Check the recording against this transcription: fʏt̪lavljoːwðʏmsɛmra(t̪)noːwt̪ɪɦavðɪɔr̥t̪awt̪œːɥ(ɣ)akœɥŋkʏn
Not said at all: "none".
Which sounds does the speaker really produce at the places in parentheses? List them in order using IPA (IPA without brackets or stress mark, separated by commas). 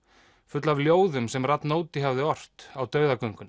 t̪, ð